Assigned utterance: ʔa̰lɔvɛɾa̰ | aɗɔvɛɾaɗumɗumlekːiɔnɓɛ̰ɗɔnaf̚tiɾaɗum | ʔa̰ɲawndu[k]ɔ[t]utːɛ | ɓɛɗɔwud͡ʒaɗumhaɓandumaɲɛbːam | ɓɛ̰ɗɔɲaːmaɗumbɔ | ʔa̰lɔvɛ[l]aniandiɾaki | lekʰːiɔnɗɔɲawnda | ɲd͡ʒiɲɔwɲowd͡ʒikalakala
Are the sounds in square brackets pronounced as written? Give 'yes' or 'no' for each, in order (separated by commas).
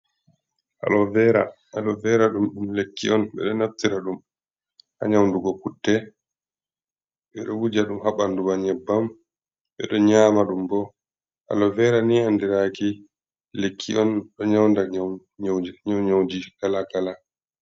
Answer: no, no, no